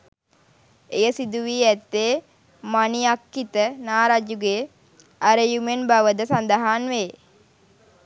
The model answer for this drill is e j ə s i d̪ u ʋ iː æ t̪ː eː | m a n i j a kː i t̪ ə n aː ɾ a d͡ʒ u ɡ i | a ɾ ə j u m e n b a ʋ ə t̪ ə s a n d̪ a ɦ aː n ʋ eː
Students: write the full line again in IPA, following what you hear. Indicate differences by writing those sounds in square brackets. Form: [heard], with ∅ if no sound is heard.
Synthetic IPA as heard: e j ə s i d̪ u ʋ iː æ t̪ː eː | m a n i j a kː i t̪ ə n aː ɾ a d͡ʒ u ɡ [e] | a ɾ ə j u m e n b a ʋ ə [d̪] ə s a n d̪ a ɦ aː n ʋ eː